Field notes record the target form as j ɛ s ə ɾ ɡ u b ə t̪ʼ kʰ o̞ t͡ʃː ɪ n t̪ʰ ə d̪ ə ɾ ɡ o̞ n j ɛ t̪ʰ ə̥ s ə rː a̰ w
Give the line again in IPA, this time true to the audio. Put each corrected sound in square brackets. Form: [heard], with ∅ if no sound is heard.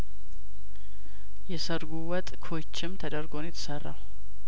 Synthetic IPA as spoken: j ɛ s ə ɾ ɡ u [w] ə t̪ʼ kʰ o̞ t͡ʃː ɪ [m] t̪ʰ ə d̪ ə ɾ ɡ o̞ n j ɛ t̪ʰ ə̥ s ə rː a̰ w

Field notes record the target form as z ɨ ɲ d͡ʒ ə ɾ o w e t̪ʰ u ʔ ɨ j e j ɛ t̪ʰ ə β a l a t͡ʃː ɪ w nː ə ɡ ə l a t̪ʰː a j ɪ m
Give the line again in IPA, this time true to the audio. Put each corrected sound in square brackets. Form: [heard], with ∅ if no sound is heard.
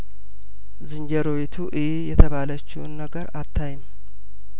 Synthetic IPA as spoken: z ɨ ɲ d͡ʒ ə ɾ o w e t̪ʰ u ʔ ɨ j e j ɛ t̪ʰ ə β a l [ə] t͡ʃː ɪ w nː ə ɡ ə [ɾ] a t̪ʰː a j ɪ m

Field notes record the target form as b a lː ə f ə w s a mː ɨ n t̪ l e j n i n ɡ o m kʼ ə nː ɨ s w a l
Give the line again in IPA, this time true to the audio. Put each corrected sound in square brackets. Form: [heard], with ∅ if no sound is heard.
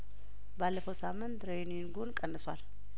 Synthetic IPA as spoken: b a lː ə f ə w s a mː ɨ n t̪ [ɾ] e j n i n ɡ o [n] kʼ ə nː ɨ s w a l

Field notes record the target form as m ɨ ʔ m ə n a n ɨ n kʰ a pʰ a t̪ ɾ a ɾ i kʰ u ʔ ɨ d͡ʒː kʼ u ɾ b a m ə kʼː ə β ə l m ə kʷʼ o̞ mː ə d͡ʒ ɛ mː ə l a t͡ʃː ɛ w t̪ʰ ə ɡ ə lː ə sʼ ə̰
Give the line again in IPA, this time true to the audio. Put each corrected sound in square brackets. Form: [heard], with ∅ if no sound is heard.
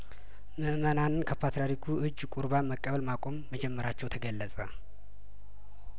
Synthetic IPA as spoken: m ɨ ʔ m ə n a n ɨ n kʰ [ə] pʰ a t̪ ɾ a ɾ i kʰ u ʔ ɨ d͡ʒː kʼ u ɾ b a m ə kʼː ə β ə l m [a] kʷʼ o̞ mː ə d͡ʒ ɛ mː ə [ɾ] a t͡ʃː ɛ w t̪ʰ ə ɡ ə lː ə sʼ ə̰

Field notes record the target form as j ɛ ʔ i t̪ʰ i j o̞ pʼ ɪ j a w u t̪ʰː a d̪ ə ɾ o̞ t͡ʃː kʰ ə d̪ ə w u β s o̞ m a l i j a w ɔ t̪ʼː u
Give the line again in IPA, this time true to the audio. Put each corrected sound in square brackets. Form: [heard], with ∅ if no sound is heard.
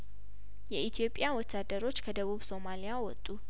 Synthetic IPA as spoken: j ɛ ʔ i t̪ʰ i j o̞ pʼ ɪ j a w [ɔ] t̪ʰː a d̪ ə ɾ o̞ t͡ʃː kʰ ə d̪ ə [β] u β s o̞ m a l i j a w ɔ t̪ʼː u

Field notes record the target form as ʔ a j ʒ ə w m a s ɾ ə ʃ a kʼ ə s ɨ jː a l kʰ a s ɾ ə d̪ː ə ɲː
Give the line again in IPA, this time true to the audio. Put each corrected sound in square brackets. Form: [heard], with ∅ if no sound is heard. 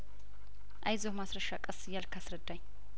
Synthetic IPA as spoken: ʔ a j [z] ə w m a s ɾ ə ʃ a kʼ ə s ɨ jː a l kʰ a s ɾ ə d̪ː [a] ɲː

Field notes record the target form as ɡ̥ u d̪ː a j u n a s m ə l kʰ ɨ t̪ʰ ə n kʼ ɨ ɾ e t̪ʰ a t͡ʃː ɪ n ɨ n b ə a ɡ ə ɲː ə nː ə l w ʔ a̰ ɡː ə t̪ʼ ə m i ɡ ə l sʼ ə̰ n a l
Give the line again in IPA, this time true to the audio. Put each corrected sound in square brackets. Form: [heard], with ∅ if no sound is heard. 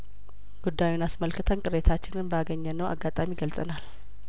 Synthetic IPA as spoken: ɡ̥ u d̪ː a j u n a s m ə l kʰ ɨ t̪ʰ ə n kʼ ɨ ɾ e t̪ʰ a t͡ʃː ɪ n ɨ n b ə a ɡ ə ɲː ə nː ə [∅] w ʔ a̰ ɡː [a] t̪ʼ [a] m i ɡ ə l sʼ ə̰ n a l

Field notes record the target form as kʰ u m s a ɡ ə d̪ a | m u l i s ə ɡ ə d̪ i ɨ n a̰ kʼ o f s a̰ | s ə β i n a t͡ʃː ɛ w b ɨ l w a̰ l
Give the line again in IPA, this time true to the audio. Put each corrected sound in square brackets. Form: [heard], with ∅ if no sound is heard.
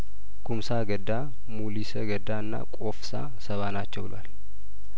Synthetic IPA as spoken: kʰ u m s a ɡ ə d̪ a | m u l i s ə ɡ ə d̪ [a] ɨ [nː] a̰ kʼ o f s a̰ | s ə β [a] n a t͡ʃː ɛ w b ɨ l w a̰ l

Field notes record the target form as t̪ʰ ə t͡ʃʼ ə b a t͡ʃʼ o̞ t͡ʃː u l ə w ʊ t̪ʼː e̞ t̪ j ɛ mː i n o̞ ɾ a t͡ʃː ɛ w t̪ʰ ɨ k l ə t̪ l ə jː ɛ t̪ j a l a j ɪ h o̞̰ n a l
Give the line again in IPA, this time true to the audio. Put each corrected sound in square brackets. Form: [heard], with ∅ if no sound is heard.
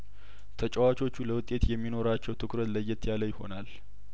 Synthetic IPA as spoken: t̪ʰ ə t͡ʃʼ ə [w] a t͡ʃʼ o̞ t͡ʃː u l ə w ʊ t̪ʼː e̞ t̪ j ɛ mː i n o̞ ɾ a t͡ʃː ɛ w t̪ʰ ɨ k [ɾ] ə t̪ l ə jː ɛ t̪ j a l [ə] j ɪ h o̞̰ n a l

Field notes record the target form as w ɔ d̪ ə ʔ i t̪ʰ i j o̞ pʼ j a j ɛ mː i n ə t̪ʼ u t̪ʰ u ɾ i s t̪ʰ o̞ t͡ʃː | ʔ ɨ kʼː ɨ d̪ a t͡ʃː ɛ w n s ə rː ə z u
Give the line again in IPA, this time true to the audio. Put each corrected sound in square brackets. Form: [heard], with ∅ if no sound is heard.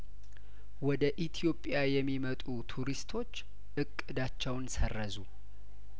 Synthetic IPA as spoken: w ɔ d̪ ə ʔ i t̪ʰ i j o̞ pʼ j a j ɛ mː i [m] ə t̪ʼ u t̪ʰ u ɾ i s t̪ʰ o̞ t͡ʃː | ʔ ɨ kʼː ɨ d̪ a t͡ʃː ɛ w n s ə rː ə z u

